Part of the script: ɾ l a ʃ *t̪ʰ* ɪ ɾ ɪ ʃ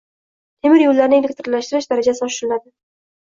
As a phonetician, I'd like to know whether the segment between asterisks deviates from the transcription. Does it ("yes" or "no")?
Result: yes